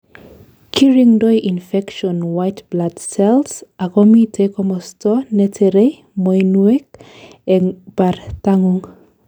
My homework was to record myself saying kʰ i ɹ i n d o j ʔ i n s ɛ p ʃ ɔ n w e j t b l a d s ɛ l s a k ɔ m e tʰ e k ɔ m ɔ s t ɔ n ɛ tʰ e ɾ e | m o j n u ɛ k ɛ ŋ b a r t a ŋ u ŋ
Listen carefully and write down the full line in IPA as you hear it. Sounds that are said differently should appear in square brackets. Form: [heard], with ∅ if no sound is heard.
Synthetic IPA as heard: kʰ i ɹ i [ŋ] d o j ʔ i n [f] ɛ [k] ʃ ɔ n w [a] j t b l a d s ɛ l s a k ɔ m [i] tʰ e k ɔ m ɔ s t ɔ n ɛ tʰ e ɾ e | m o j n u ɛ k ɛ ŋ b a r t a ŋ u ŋ